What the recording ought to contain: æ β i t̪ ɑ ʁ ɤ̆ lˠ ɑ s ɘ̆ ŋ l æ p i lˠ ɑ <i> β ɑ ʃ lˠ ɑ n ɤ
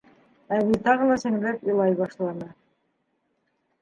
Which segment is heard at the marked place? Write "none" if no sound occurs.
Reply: j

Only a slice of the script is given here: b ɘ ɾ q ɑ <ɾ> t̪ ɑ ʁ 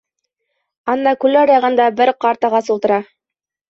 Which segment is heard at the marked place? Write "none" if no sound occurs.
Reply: ɾ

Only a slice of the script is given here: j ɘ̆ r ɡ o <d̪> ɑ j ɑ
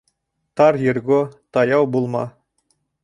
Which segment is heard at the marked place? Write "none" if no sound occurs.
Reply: t̪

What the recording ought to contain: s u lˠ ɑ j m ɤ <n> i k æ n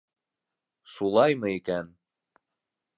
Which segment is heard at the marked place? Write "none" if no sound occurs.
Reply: none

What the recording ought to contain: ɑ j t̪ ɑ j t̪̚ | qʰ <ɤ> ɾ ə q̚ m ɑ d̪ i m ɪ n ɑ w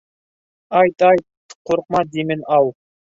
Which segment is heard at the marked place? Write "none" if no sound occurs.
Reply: o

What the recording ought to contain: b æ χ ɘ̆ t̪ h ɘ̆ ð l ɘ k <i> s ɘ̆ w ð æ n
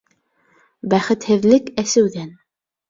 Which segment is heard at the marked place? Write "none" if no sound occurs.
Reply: æ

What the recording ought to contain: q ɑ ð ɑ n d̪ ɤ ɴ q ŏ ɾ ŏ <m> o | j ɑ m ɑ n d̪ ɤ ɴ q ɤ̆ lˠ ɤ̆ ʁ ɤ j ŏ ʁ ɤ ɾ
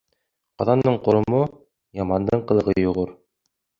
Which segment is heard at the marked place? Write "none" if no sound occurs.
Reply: m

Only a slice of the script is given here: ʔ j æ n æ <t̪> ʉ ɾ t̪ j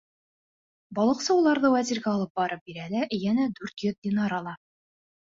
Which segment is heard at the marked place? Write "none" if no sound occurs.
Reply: d̪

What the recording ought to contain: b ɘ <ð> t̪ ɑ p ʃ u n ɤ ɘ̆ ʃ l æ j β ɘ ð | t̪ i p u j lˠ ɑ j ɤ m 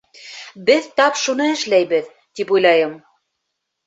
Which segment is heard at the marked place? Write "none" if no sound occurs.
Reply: ð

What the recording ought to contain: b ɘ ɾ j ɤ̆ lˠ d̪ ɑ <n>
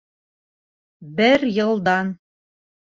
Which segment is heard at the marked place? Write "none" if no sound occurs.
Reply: n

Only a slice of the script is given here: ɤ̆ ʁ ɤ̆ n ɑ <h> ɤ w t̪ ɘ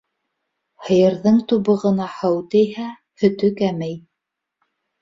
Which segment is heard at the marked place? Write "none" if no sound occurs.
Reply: h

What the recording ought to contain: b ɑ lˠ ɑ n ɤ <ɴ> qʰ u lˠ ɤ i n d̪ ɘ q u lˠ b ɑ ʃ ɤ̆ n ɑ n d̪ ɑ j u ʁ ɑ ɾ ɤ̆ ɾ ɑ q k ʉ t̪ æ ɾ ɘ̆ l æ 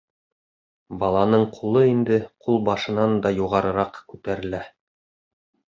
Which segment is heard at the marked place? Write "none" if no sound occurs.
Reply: ɴ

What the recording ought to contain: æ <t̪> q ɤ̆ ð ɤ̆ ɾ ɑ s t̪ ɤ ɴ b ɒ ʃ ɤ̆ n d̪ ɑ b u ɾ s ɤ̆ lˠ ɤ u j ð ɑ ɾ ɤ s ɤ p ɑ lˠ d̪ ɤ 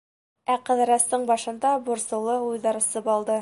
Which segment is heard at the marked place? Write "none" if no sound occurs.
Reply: none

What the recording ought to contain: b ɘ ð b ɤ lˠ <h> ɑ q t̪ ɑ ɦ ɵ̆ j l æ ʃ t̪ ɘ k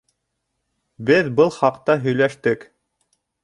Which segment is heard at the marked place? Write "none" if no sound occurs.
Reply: χ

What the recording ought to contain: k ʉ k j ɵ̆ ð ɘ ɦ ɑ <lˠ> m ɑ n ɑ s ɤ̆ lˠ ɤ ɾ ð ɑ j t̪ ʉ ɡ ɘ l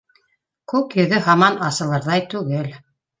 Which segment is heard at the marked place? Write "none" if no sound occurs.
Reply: none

